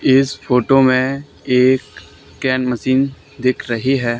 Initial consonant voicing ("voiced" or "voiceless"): voiceless